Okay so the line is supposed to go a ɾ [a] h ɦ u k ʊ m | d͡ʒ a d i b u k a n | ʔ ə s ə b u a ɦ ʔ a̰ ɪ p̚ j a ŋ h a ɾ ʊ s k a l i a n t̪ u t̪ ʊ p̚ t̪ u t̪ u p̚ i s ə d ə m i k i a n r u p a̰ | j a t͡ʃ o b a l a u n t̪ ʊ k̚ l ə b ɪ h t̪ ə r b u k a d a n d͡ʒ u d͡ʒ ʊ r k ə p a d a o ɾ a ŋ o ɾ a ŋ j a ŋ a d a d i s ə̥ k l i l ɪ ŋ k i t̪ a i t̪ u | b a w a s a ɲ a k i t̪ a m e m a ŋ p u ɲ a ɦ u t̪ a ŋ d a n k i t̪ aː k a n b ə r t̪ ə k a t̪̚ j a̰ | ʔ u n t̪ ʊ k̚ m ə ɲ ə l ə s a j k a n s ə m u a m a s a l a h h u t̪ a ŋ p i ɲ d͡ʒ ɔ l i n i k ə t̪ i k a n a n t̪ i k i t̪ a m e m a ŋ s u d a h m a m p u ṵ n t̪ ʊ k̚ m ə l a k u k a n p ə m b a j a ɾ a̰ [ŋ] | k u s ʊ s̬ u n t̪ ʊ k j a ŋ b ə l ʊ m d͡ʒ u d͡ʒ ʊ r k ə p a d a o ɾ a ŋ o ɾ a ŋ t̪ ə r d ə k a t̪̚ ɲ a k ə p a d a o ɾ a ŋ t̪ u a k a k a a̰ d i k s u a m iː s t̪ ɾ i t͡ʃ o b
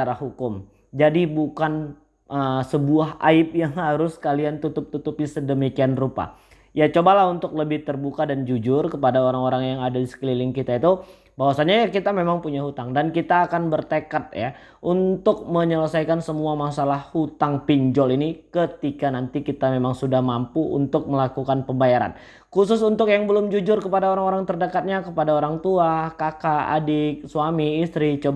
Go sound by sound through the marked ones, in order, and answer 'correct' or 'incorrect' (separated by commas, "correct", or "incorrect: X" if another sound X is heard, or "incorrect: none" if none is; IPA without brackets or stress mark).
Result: correct, incorrect: n